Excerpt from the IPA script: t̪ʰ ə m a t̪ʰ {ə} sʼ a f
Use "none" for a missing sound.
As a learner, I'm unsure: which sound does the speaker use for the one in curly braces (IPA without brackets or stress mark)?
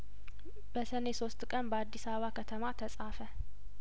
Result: ə